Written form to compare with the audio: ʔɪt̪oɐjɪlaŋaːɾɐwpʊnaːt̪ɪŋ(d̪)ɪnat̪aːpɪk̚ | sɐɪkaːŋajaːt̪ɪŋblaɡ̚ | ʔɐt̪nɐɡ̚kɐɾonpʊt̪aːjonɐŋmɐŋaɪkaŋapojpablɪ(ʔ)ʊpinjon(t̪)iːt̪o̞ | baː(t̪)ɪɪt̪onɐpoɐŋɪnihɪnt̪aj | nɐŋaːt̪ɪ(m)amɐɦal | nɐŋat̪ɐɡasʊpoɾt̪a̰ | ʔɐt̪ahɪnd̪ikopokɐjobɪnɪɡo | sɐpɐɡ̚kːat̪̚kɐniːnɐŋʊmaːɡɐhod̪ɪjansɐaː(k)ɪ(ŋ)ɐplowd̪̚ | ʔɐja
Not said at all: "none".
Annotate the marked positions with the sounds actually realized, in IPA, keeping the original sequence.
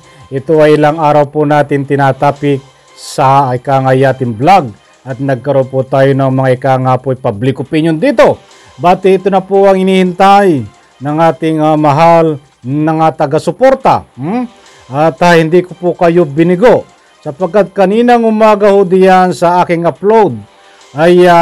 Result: t̪, k, d̪, t̪, ŋ, k, ŋ

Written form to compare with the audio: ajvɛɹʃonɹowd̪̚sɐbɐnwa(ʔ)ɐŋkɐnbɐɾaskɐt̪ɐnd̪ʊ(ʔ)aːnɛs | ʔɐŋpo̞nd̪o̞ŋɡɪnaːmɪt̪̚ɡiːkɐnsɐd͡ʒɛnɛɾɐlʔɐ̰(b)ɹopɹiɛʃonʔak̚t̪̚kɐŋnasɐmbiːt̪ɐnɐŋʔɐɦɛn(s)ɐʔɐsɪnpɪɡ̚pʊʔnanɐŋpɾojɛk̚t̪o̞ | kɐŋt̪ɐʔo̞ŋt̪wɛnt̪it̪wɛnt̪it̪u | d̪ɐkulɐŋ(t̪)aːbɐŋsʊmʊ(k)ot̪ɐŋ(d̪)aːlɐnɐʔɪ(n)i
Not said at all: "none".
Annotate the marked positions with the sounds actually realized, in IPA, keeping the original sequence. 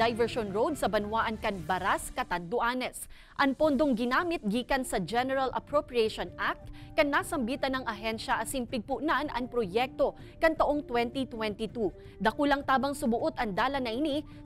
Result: ʔ, ʔ, p, ʃ, t̪, ʔ, d̪, n

